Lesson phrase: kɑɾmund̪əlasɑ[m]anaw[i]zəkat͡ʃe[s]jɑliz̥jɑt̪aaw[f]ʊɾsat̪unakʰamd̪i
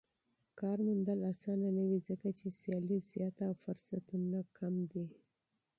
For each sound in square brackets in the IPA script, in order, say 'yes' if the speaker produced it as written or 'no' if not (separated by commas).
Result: no, yes, yes, yes